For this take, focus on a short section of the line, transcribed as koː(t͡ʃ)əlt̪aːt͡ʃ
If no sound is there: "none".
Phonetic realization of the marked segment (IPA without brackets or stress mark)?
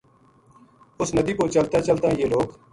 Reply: t͡ʃ